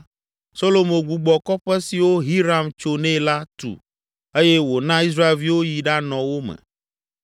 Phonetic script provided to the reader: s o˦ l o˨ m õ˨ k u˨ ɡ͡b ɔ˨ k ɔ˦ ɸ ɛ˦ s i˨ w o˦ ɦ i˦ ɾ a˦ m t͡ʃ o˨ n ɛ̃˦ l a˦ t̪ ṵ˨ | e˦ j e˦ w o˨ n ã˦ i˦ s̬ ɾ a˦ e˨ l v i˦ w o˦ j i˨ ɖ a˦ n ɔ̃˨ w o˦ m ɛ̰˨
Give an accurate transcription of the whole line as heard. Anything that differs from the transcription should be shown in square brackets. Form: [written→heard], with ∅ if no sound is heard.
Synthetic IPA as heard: s o˦ l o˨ m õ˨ [k→ɡ] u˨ ɡ͡b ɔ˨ k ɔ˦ ɸ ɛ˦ s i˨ w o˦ ɦ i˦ ɾ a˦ m t͡ʃ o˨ n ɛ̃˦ l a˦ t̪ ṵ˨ | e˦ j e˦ w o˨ n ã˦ i˦ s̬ ɾ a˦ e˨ l v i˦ w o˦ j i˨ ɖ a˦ n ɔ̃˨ w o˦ m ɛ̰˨